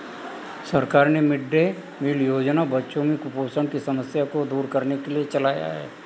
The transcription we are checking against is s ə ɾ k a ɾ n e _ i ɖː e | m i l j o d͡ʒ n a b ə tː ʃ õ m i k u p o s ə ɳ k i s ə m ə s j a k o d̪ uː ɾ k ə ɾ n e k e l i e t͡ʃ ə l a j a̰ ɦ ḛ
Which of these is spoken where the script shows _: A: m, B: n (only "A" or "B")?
A